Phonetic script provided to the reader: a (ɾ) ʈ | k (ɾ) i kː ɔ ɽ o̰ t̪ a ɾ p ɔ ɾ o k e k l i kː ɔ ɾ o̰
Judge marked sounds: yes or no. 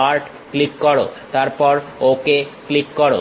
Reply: yes, no

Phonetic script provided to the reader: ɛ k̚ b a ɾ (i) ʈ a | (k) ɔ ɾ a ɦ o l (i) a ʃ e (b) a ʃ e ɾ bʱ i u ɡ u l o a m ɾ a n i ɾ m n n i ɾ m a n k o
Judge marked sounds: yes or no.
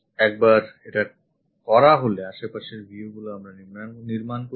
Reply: no, yes, no, no

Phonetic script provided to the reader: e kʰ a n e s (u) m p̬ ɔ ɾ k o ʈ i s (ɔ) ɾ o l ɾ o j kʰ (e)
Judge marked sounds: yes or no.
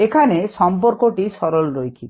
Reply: no, yes, no

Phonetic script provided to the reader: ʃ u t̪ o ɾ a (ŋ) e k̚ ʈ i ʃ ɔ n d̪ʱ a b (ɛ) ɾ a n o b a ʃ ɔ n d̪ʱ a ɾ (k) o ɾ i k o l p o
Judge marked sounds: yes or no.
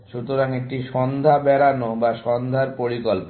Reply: yes, yes, no

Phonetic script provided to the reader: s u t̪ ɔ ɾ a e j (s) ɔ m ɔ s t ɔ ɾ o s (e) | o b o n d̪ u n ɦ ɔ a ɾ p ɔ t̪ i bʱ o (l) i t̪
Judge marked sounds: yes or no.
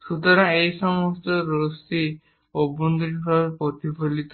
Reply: yes, no, yes

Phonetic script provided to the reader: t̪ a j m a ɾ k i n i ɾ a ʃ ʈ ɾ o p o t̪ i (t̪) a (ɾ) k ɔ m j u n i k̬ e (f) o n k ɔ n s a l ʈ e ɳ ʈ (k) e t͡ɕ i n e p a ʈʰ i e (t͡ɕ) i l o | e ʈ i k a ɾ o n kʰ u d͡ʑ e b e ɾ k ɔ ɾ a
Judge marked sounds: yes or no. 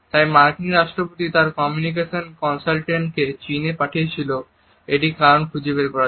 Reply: yes, yes, no, yes, no

